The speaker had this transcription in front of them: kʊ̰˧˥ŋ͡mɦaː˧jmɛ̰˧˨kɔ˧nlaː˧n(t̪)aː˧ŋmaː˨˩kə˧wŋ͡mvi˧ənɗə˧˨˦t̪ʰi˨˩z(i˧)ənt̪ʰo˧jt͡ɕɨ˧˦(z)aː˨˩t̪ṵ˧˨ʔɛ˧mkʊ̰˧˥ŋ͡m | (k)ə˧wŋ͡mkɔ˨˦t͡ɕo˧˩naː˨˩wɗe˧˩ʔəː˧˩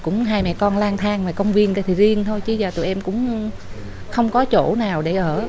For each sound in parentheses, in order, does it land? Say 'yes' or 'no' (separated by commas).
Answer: no, yes, yes, no